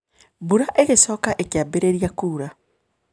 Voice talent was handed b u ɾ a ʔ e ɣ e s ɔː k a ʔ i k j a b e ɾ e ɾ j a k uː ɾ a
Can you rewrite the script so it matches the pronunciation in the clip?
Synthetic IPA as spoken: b u ɾ a ʔ e ɣ e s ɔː k a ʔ e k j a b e ɾ e ɾ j a k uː ɾ a